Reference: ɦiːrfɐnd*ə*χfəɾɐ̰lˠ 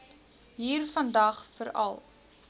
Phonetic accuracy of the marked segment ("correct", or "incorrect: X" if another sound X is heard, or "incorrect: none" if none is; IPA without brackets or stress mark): incorrect: ɐ